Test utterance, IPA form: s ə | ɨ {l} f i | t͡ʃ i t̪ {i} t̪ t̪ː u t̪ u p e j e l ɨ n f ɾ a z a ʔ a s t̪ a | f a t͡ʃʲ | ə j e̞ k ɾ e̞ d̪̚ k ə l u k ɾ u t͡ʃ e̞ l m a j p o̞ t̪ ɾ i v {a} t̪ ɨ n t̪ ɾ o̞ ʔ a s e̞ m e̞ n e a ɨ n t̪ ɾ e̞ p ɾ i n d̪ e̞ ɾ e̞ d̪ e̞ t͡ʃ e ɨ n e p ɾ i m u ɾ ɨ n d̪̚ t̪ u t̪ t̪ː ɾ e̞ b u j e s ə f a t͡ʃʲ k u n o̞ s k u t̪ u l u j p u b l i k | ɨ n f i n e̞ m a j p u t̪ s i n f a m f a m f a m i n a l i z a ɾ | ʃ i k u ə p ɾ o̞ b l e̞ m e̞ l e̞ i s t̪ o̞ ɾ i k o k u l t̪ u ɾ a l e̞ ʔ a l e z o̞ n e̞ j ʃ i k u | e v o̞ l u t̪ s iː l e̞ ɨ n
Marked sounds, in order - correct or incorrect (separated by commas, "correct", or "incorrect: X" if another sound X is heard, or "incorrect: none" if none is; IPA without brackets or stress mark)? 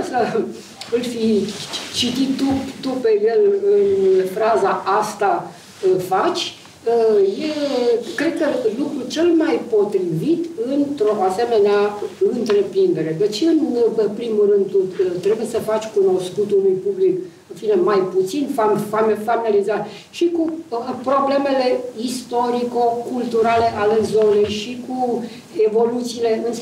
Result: correct, correct, incorrect: i